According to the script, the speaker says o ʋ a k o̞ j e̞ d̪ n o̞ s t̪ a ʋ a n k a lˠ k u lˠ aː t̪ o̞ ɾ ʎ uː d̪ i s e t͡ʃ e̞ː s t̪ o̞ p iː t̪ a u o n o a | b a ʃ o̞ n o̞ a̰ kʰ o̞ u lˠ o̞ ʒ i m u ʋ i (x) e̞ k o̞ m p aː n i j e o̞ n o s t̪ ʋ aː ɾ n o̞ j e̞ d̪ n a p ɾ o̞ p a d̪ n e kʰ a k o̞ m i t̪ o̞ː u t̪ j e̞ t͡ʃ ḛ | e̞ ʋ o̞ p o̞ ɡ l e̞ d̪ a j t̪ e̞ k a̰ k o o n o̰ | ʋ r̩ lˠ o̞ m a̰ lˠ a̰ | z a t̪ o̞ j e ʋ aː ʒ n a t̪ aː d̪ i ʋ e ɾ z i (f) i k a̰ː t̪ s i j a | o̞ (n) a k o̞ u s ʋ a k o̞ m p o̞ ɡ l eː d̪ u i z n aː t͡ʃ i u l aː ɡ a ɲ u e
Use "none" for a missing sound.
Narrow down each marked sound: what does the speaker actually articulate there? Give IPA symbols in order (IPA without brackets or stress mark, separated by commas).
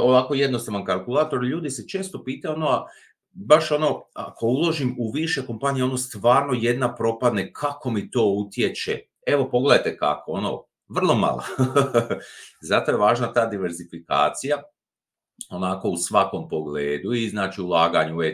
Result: ʃ, f, n